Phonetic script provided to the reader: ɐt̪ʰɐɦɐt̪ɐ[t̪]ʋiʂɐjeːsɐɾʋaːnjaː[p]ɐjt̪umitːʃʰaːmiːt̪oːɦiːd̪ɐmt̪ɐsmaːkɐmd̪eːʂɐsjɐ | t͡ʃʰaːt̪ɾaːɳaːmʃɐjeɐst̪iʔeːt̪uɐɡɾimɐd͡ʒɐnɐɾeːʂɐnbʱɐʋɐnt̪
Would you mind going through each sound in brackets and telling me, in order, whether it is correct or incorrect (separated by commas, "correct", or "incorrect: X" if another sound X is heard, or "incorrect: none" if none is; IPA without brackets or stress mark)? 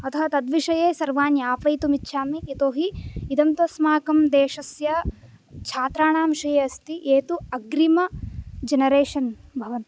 incorrect: d̪, correct